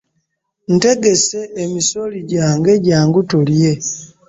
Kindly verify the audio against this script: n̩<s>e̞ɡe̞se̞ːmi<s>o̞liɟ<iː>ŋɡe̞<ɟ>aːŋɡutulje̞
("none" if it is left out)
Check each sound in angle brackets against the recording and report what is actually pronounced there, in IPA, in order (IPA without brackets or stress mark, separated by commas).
t, s, aː, ɟ